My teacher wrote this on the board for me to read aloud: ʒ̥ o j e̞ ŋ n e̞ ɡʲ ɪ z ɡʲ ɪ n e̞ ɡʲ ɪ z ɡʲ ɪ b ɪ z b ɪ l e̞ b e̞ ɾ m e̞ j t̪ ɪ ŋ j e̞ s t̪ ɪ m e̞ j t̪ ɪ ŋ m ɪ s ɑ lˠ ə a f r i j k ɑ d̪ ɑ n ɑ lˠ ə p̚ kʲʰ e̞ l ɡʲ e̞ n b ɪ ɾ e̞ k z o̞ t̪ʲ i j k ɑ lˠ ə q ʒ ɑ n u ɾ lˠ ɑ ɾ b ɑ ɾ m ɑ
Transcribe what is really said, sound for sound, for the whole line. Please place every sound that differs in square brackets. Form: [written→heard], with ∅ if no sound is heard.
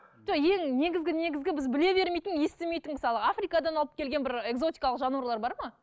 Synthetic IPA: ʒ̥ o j e̞ ŋ n e̞ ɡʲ ɪ z ɡʲ ɪ n e̞ ɡʲ ɪ z ɡʲ ɪ b ɪ z b ɪ l e̞ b e̞ ɾ m e̞ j t̪ ɪ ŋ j e̞ s t̪ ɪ m e̞ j t̪ ɪ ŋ m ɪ s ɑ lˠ ə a f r i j k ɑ d̪ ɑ n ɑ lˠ ə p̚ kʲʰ e̞ l ɡʲ e̞ n b ɪ ɾ e̞ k z o̞ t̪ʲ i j k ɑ lˠ ə q ʒ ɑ n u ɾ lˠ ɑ ɾ b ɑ ɾ m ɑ